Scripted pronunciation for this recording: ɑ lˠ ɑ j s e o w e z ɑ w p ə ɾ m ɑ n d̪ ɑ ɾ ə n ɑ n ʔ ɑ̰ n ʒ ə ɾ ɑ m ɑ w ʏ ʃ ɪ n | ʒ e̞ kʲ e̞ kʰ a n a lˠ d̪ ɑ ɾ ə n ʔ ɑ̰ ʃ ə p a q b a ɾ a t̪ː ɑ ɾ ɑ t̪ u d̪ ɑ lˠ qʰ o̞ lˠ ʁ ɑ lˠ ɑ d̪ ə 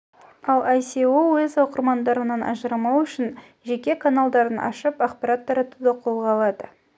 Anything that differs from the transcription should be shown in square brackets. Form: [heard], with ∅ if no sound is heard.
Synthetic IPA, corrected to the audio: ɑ lˠ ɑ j s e o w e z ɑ w [q] ə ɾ m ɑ n d̪ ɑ ɾ ə n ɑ n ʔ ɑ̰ [∅] ʒ ə ɾ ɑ m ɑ w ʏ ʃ ɪ n | ʒ e̞ kʲ e̞ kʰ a n a lˠ d̪ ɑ ɾ ə n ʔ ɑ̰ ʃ ə p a q [p] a ɾ a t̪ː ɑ ɾ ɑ t̪ u d̪ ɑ [∅] qʰ o̞ lˠ ʁ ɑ lˠ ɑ d̪ ə